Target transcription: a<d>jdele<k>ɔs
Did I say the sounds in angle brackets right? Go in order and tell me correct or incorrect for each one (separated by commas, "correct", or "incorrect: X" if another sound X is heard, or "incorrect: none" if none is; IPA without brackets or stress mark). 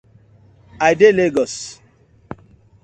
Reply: incorrect: none, incorrect: ɡ